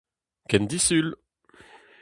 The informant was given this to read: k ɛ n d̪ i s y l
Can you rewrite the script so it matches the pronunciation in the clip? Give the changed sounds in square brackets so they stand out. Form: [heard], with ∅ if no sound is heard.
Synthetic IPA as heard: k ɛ n d̪ i s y l